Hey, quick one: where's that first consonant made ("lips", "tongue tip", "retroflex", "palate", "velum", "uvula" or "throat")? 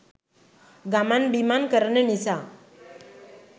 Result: velum